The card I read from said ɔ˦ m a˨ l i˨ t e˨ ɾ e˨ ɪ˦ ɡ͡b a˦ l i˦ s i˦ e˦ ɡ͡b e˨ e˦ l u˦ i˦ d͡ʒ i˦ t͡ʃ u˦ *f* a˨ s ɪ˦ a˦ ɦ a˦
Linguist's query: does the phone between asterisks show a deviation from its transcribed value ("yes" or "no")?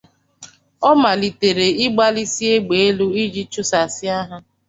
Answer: yes